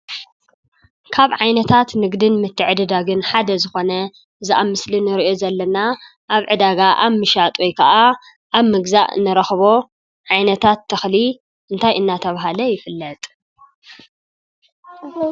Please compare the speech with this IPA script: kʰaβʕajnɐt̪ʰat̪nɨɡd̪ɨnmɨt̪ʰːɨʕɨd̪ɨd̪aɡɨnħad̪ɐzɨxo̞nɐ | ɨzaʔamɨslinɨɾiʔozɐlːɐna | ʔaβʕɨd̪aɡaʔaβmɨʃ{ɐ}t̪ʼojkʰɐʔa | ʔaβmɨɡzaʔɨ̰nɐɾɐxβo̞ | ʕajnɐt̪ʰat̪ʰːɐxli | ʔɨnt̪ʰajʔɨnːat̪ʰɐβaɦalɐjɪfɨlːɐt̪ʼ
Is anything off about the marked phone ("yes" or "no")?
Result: yes